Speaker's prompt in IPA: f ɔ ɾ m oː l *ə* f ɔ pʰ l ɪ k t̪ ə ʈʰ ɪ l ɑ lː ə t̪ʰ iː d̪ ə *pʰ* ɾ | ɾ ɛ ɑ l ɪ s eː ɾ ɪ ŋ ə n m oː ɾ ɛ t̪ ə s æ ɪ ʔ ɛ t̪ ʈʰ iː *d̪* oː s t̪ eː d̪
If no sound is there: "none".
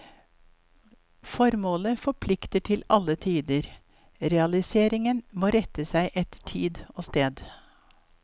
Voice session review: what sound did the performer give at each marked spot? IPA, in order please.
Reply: ə, none, d̪

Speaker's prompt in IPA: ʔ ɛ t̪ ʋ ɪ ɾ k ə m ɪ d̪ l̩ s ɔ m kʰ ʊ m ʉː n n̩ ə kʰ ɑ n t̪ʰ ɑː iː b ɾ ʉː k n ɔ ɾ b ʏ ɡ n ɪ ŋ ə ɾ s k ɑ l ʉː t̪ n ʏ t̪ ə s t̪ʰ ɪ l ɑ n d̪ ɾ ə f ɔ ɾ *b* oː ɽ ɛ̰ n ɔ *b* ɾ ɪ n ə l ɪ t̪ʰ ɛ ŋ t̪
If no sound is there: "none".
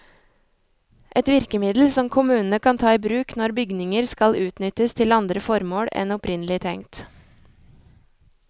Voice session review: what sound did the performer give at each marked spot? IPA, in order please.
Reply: m, p

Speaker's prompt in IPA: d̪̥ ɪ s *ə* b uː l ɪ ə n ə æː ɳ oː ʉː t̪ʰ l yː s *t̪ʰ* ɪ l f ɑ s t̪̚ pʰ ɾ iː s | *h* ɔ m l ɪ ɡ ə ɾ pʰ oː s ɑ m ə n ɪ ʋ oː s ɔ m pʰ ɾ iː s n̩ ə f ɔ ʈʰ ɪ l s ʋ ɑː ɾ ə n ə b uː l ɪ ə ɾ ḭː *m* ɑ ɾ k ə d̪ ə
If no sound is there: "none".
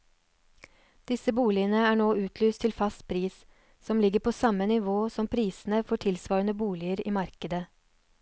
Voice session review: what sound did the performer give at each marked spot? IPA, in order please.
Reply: ə, t̪ʰ, s, m

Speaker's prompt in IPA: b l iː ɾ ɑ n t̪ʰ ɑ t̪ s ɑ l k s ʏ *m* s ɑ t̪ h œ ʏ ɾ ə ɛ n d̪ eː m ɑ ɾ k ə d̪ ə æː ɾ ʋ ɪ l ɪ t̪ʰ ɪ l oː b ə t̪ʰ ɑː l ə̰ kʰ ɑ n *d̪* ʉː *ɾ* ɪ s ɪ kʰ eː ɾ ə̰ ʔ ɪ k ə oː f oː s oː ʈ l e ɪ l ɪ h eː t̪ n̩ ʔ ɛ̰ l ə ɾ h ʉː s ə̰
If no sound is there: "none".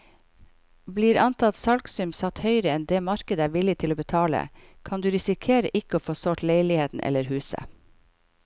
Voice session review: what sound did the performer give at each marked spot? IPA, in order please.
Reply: m, d̪, ɾ

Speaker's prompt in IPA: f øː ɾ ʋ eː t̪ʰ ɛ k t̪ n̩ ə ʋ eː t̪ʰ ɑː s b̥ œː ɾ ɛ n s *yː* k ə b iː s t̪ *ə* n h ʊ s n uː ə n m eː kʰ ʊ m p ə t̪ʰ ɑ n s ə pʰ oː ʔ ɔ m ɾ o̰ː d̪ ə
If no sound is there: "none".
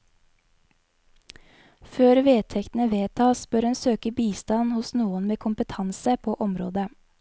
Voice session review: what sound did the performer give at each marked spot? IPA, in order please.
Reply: øː, ɑ

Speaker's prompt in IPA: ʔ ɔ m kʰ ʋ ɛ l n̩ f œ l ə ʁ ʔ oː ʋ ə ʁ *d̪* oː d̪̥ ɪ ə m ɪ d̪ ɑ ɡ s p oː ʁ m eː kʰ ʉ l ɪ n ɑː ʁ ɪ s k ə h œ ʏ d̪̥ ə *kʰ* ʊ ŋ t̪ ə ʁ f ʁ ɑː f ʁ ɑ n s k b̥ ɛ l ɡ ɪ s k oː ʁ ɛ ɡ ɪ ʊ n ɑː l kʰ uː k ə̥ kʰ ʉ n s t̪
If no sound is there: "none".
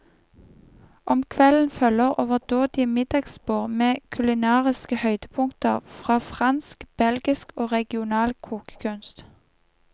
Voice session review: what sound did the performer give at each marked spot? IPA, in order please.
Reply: d̪, pʰ

